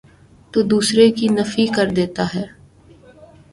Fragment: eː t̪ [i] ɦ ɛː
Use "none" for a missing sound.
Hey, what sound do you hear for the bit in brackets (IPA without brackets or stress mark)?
a